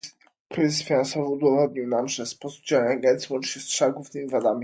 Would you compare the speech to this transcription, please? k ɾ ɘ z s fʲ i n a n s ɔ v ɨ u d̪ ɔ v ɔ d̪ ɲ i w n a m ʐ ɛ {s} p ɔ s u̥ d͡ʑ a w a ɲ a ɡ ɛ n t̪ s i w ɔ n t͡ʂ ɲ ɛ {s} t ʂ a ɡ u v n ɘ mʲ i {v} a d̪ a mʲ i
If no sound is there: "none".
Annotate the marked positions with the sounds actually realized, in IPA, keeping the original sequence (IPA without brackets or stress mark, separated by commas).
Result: s, s, v